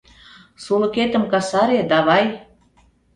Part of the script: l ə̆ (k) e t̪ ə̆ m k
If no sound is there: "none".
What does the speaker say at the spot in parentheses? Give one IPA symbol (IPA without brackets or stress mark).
k